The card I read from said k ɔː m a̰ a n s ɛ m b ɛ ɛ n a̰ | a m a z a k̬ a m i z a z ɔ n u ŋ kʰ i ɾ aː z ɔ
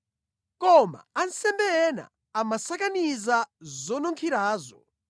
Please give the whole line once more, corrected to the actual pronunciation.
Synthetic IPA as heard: k ɔ m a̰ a n s ɛ m b ɛ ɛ n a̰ | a m a s a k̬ a n i z a z ɔ n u ŋ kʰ i ɾ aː z ɔ